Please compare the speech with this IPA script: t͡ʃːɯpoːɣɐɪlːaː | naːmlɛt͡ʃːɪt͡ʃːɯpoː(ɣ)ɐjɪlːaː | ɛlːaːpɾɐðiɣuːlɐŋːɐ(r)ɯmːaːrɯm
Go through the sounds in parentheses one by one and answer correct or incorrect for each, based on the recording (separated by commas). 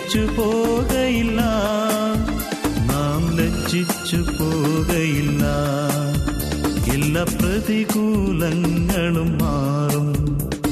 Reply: correct, incorrect